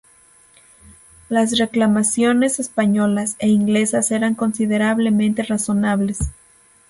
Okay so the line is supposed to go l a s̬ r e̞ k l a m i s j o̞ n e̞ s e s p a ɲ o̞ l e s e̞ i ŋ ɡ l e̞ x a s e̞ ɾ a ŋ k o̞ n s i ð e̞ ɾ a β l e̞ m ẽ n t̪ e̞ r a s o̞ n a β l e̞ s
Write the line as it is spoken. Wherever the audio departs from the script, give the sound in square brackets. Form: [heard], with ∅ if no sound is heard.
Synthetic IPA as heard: l a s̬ r e̞ k l a m [a] s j o̞ n e̞ s e s p a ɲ o̞ l [a] s e̞ i ŋ ɡ l e̞ [s] a s e̞ ɾ a ŋ k o̞ n s i ð e̞ ɾ a β l e̞ m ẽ n t̪ e̞ r a s o̞ n a β l e̞ s